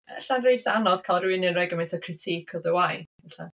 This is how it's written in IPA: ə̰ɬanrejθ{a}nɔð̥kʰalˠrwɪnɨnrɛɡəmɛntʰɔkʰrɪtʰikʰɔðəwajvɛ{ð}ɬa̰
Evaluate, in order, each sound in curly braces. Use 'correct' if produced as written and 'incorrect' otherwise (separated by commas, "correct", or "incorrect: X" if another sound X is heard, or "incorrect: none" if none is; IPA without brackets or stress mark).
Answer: correct, incorrect: none